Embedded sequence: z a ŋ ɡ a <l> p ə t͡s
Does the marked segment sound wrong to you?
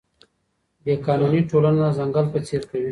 no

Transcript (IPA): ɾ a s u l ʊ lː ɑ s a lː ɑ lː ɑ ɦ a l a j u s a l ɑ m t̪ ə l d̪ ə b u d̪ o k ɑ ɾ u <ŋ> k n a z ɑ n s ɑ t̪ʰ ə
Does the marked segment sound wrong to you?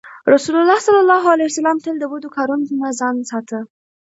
yes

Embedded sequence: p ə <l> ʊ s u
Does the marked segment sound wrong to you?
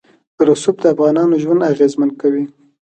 yes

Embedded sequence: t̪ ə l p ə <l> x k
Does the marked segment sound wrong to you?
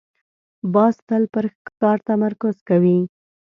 yes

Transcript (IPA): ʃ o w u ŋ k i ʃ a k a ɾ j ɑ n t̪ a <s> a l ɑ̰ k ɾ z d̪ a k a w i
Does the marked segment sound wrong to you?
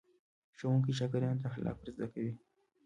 yes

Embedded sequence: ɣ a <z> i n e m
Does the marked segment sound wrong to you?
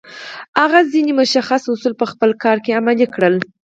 no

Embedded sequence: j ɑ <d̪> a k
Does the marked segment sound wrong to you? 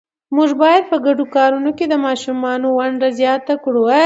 yes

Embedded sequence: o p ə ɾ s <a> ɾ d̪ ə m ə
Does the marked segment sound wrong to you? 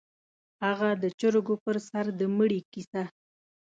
no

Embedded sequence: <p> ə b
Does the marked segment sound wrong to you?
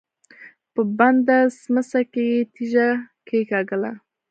no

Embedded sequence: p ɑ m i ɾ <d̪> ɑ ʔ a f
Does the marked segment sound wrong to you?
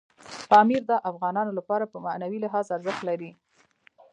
no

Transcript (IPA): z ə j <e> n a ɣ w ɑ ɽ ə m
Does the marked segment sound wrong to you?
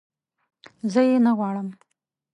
no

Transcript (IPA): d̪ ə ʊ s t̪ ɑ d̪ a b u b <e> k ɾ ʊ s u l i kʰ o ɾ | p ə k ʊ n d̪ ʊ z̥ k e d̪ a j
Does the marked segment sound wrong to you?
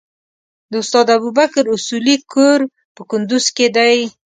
yes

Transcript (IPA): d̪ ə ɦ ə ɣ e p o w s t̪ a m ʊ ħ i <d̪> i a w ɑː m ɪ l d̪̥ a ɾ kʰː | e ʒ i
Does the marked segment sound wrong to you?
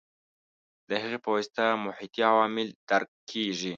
yes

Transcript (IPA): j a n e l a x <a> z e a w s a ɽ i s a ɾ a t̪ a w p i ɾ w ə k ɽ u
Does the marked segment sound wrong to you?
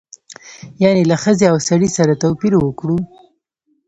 yes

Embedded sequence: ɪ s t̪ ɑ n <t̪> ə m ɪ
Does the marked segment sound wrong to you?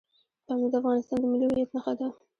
yes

